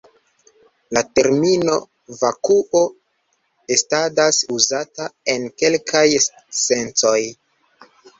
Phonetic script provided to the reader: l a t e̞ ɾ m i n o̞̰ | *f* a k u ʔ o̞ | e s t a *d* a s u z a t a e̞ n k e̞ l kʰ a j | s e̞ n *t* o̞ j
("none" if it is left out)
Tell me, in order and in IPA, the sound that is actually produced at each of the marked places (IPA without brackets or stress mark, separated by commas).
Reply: v, d, t͡s